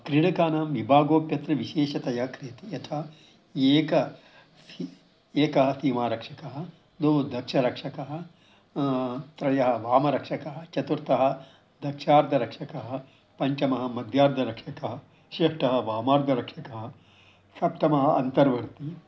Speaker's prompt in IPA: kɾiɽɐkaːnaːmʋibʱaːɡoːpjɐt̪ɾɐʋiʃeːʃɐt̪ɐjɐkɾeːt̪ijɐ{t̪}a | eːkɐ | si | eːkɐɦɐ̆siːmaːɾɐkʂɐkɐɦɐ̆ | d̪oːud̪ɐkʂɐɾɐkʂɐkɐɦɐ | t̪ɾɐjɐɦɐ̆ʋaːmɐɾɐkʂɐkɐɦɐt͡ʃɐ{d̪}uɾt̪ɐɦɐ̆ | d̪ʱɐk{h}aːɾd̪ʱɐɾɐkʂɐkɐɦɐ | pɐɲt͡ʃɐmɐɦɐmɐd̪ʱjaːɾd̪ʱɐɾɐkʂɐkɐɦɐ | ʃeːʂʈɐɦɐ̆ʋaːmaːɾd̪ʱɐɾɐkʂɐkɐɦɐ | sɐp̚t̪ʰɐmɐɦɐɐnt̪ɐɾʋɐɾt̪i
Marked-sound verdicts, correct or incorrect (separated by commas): incorrect, incorrect, incorrect